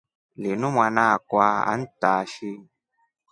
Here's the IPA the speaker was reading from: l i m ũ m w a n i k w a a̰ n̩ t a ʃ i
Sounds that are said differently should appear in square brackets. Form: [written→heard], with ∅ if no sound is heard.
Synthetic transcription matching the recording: l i [m→n] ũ m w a n [i→a] k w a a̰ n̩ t a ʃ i